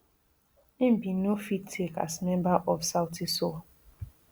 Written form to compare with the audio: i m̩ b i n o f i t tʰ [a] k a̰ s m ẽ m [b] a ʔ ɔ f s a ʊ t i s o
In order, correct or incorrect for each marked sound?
incorrect: e, correct

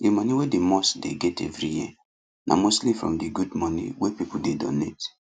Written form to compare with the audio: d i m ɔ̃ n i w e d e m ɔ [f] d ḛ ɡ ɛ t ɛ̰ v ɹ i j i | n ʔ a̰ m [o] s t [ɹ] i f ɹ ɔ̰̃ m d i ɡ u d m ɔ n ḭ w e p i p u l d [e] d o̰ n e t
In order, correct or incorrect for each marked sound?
incorrect: s, correct, incorrect: l, correct

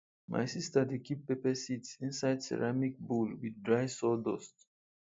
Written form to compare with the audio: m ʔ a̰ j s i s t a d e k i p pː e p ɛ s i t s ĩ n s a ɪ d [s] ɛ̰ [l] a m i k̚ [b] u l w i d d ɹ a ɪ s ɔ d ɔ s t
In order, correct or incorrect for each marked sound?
correct, incorrect: ɹ, correct

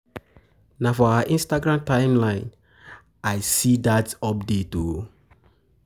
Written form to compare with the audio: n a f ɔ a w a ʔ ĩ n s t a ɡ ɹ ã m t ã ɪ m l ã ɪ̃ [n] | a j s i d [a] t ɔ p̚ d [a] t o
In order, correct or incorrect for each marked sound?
correct, correct, incorrect: e

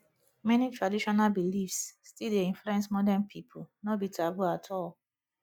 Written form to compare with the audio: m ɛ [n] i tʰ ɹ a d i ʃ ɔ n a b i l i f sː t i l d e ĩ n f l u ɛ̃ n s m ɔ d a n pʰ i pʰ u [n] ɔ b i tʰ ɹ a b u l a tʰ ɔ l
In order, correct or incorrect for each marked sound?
correct, correct

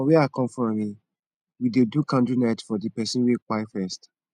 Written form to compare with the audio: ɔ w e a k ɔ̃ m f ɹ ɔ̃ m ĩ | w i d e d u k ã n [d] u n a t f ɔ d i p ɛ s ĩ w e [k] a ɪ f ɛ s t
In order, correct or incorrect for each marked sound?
correct, correct

